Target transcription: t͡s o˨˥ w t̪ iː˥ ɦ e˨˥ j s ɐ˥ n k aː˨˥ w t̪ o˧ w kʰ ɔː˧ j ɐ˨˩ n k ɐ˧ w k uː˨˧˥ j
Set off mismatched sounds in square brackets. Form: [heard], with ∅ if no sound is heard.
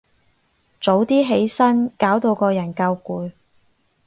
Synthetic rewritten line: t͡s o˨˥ w t̪ iː˥ ɦ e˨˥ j s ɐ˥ n k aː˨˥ w t̪ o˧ w [k] ɔː˧ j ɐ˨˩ n k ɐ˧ w k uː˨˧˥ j